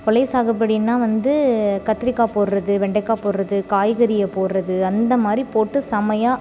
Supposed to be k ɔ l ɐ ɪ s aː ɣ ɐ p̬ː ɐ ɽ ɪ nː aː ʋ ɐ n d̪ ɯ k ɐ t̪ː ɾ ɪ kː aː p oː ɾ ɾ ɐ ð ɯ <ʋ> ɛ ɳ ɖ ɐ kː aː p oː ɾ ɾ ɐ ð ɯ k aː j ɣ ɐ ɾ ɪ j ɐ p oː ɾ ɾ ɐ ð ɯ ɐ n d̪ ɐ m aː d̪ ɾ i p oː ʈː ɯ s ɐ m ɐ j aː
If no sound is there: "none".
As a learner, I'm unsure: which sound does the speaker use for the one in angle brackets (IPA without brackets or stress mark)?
ʋ